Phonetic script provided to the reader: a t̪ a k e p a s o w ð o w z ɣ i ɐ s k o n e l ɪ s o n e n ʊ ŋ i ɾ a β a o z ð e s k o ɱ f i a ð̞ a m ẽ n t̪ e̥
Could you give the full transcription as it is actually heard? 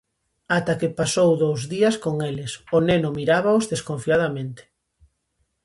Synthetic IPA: a t̪ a k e p a s o w ð o w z ð i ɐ s k o ŋ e l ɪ s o n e n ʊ m i ɾ a β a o z ð e s k o ɱ f i a ð̞ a m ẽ n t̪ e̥